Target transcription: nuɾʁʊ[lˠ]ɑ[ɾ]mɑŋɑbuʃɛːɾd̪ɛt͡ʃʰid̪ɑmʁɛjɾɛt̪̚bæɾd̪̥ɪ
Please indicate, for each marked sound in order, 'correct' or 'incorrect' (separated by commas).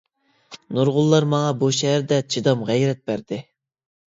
incorrect, correct